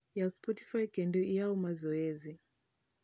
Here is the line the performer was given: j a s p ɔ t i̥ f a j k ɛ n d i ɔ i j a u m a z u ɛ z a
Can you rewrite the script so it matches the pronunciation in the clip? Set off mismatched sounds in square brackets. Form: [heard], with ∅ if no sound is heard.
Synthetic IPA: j a s p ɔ t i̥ f a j k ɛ n d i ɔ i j a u m a z [ɔ] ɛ z [i]